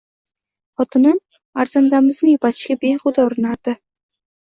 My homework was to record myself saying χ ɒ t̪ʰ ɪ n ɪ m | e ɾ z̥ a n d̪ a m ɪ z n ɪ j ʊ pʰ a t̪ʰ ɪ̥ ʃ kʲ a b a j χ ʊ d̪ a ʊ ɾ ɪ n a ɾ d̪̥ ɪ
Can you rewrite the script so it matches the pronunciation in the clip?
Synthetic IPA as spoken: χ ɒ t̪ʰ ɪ n ɪ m | a ɾ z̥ a n d̪ a m ɪ z n ɪ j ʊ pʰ a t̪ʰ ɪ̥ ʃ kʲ a b e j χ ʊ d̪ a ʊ ɾ ɪ n a ɾ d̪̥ ɪ